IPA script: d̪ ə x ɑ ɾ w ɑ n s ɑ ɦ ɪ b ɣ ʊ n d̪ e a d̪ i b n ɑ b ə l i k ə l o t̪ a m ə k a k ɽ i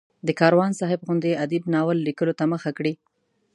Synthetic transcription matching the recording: d̪ ə k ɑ ɾ w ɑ n s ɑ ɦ ɪ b ɣ ʊ n d̪ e a d̪ i b n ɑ w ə lː i k ə l o t̪ a m ə x a k ɽ i